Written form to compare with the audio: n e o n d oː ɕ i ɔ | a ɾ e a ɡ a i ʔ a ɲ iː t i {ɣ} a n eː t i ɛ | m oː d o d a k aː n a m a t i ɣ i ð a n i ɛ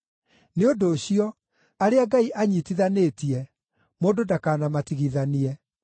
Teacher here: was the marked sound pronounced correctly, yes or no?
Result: no